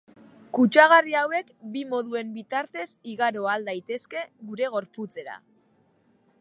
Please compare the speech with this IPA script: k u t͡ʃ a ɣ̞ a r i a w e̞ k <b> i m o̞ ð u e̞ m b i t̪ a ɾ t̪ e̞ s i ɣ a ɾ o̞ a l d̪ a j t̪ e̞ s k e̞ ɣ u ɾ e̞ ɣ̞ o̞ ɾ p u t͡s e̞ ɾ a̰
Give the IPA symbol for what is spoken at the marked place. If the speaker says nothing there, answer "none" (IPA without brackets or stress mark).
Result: b